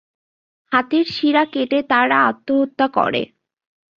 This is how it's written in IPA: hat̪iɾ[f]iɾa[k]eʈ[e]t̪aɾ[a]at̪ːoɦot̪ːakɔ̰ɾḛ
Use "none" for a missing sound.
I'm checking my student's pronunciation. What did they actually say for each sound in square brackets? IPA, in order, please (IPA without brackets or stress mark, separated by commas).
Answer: ʃ, k, e, a